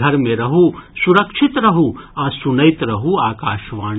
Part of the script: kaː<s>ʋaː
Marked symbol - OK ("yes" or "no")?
no